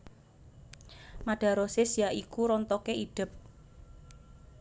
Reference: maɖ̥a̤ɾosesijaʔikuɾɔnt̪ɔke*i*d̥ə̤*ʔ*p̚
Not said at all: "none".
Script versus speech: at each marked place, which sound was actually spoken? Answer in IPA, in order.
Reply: i, none

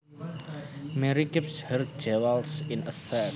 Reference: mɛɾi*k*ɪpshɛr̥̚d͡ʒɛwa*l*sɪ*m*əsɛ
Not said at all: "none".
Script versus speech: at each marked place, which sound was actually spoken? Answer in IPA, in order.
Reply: k, l, n

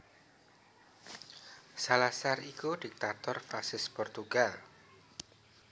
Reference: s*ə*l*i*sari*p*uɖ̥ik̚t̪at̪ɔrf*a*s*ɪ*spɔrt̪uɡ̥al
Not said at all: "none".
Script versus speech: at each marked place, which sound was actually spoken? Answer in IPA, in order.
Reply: a, a, k, a, ɪ

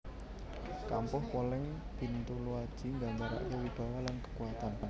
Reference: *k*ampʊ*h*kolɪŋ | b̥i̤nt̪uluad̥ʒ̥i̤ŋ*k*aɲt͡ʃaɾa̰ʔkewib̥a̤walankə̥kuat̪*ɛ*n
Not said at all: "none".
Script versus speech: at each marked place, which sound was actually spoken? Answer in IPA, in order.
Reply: k, h, ɡ, a

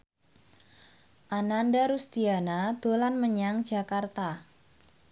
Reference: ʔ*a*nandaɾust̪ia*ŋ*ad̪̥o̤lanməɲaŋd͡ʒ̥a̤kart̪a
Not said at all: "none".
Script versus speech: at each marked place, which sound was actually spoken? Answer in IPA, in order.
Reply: a, n

